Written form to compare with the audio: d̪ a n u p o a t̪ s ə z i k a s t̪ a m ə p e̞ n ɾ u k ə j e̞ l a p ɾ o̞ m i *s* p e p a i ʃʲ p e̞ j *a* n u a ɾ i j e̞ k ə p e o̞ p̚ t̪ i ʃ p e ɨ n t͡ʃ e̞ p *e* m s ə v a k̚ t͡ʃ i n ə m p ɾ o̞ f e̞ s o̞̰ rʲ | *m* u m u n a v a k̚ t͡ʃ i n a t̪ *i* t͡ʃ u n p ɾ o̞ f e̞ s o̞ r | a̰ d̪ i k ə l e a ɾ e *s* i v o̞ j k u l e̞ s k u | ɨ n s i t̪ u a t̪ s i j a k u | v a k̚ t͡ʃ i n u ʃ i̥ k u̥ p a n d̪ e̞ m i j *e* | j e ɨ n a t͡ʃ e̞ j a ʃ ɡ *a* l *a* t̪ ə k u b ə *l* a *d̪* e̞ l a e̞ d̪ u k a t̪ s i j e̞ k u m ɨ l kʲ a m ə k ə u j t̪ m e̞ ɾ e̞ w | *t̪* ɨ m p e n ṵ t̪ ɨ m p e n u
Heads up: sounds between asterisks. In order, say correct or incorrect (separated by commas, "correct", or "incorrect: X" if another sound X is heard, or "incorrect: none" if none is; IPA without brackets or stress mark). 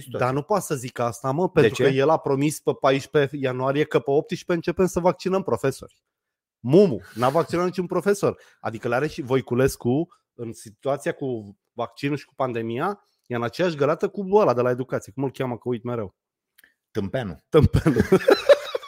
correct, correct, correct, correct, correct, incorrect: ʃ, incorrect: a, incorrect: ə, correct, correct, correct, correct